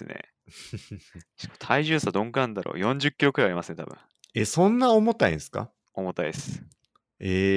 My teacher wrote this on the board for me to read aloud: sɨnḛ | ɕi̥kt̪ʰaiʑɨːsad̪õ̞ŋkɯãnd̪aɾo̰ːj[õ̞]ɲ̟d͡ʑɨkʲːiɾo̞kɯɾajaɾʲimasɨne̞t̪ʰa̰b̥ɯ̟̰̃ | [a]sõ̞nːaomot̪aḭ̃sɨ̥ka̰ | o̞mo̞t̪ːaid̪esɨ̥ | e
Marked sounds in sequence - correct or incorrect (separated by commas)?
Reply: correct, incorrect